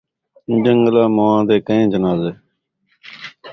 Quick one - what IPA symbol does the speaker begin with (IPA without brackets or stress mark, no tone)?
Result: d͡ʒ